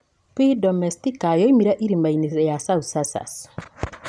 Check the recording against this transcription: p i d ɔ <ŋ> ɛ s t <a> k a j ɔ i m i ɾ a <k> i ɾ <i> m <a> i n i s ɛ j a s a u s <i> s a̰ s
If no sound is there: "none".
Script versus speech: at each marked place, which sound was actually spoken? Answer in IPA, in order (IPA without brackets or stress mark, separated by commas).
m, i, ʔ, i, a, a